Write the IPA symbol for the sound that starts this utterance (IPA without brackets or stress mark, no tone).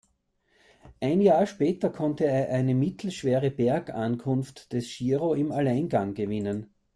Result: ʔ